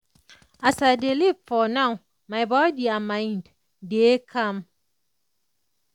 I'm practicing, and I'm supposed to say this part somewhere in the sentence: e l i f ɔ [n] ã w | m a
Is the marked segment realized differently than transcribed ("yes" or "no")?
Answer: no